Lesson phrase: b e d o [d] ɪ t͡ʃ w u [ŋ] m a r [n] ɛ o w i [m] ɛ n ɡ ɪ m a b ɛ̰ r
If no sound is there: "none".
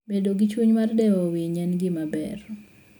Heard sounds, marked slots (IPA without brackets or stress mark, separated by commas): ɡ, ɲ, d, ɲ